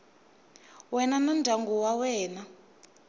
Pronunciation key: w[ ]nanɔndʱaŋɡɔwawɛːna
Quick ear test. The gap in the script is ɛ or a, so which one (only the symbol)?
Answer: ɛ